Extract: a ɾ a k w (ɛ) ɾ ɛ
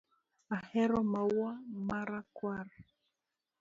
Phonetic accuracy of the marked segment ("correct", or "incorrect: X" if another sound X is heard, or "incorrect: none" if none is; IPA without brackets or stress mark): incorrect: a